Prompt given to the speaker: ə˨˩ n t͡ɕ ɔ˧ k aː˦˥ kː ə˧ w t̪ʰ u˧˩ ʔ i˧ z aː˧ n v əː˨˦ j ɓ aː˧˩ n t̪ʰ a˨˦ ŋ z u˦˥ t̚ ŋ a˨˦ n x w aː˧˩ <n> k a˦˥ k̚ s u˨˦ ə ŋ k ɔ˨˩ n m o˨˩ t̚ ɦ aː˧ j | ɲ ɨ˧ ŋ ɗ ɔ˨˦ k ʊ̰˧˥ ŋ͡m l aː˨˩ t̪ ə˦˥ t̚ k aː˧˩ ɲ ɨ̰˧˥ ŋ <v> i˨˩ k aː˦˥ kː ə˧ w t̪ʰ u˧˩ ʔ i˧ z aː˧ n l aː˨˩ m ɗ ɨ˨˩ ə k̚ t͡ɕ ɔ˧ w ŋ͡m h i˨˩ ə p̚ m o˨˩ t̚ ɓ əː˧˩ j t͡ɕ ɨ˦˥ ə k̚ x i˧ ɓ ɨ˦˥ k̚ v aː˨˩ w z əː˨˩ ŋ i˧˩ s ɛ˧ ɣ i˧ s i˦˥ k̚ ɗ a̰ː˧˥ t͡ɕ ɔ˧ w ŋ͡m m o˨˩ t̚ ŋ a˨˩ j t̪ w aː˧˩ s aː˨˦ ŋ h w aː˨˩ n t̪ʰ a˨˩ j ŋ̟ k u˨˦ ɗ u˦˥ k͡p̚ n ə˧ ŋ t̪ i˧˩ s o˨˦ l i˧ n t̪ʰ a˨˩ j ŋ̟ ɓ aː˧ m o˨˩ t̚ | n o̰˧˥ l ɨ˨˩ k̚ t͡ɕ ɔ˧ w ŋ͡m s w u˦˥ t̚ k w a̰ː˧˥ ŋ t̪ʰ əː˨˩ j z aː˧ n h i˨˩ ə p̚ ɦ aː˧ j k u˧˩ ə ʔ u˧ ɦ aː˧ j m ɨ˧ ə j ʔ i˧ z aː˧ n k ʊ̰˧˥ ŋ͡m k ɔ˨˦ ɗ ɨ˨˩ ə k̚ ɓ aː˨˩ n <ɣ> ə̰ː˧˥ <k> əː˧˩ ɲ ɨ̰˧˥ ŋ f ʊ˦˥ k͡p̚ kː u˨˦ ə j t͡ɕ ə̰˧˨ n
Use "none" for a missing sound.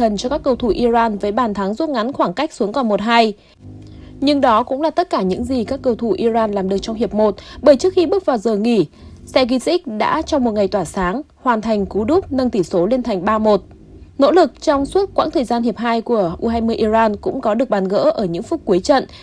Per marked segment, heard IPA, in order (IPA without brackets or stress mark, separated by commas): ŋ, z, ɣ, ʔ